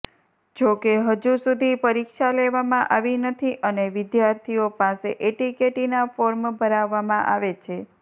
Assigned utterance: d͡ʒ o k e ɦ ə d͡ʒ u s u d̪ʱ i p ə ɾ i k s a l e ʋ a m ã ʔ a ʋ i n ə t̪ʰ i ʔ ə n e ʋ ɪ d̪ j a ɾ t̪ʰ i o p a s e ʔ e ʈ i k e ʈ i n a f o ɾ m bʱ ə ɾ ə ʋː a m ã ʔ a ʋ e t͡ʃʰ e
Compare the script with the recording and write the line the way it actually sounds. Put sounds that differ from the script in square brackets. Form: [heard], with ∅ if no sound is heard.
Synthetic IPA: d͡ʒ o k e ɦ ə d͡ʒ u s u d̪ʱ i p ə ɾ i k [ʃ] a l e ʋ a m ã ʔ a ʋ i n ə t̪ʰ i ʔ ə n e ʋ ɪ d̪ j a ɾ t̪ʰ i o p a s e ʔ e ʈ i k e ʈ i n a f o ɾ m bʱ ə ɾ [a] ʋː a m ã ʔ a ʋ e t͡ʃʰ e